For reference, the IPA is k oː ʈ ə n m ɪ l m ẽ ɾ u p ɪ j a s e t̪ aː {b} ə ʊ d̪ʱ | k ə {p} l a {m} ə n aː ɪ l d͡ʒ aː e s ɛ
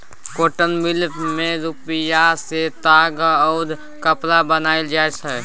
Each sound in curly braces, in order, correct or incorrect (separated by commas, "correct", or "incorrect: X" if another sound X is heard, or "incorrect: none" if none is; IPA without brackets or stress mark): incorrect: ɡ, correct, incorrect: b